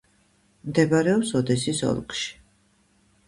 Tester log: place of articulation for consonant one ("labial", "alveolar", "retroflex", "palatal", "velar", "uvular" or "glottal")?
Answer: labial